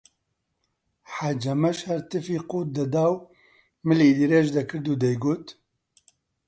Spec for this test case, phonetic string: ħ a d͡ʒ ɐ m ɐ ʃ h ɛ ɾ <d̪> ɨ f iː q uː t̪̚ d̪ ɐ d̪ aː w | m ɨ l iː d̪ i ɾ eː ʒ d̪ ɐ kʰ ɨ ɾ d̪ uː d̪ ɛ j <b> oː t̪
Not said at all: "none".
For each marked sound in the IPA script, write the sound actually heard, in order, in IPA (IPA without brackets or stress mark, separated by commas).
t̪, ɡ